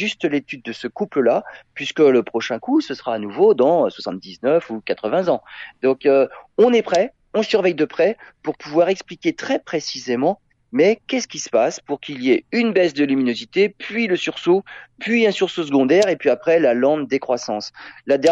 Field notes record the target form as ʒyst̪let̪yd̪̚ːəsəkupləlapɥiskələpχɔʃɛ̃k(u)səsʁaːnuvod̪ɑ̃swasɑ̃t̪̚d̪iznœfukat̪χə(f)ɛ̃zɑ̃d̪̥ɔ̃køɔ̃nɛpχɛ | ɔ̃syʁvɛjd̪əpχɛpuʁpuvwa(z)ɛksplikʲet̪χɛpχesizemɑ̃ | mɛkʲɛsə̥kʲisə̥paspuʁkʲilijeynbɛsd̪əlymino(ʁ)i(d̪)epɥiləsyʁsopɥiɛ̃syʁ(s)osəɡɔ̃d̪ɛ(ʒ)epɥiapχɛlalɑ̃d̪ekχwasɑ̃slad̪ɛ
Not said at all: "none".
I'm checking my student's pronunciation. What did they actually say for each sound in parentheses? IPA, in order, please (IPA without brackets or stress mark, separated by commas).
u, v, ʁ, z, t̪, s, ʁ